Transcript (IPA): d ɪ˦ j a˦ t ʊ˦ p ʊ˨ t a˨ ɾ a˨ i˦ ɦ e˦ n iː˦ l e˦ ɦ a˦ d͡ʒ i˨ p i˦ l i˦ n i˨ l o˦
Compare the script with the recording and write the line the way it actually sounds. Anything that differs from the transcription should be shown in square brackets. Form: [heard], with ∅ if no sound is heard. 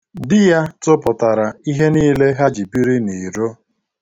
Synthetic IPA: d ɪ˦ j a˦ t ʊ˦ p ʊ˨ t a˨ ɾ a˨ i˦ ɦ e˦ n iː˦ l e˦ ɦ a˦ d͡ʒ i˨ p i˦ [ɾ] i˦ n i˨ [ɾ] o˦